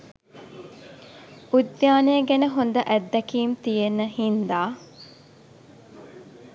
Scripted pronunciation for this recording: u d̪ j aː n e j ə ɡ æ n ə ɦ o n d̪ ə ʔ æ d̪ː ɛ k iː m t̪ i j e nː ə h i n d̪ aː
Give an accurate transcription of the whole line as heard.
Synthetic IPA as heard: u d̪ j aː n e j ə ɡ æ n ə ɦ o n d̪ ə ʔ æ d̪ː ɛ k iː m t̪ i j e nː ə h i n d̪ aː